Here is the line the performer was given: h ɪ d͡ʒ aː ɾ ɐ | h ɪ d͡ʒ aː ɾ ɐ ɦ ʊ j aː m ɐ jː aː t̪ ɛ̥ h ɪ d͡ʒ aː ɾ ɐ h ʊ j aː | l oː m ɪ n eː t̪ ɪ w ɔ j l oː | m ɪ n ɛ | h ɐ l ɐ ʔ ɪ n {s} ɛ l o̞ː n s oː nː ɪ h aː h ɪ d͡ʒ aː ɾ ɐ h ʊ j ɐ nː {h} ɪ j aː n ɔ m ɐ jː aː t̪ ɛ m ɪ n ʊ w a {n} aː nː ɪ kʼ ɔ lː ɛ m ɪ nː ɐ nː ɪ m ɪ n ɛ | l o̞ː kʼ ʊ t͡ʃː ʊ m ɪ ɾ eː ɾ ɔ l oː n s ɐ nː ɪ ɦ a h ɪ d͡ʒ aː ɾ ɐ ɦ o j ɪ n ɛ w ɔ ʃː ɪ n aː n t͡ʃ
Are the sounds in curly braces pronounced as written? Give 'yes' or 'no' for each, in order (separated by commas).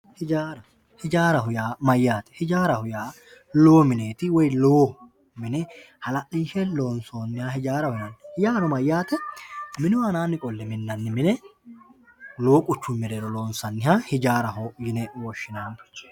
no, yes, yes